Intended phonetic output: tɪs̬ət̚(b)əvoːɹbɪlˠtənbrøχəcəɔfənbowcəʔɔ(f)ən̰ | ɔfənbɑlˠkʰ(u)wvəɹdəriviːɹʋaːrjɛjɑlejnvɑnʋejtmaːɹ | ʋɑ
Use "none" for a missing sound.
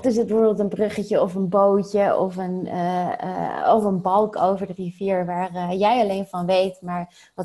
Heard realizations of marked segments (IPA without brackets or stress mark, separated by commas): b, f, o